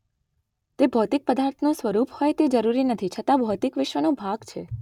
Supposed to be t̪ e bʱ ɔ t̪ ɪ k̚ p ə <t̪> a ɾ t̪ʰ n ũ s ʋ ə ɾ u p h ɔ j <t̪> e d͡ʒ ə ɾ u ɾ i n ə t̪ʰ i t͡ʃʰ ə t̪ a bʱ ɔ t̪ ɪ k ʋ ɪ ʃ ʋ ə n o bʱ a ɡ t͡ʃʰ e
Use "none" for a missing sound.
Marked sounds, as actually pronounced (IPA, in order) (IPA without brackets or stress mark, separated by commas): d̪, t̪